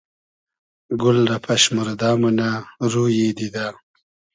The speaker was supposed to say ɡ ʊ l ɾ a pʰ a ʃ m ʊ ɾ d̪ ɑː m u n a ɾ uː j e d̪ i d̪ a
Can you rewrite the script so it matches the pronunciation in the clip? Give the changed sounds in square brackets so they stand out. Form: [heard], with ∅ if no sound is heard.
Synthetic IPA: ɡ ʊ l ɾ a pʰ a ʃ m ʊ ɾ d̪ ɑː m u n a ɾ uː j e d̪ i d̪ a